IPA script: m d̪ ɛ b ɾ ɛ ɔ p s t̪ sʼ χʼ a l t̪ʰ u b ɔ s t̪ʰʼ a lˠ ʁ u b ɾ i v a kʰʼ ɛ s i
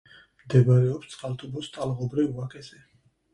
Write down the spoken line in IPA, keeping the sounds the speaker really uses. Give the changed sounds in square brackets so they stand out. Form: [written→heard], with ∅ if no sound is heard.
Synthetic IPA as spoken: m d̪ ɛ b ɾ ɛ ɔ p s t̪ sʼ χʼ a l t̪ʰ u b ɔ s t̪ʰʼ a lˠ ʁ [u→ɔ] b ɾ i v a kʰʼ ɛ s [i→ɛ]